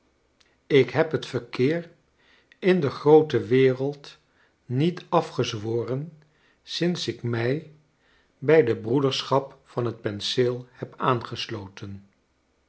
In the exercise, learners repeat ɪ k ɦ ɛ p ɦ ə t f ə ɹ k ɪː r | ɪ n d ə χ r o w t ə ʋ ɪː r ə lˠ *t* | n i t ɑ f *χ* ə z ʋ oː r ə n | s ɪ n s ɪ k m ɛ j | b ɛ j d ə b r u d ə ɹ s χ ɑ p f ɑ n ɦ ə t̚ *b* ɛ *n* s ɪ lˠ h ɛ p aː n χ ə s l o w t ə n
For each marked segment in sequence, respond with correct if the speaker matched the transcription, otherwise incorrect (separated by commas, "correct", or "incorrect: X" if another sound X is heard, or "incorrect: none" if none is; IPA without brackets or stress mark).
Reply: correct, correct, incorrect: p, correct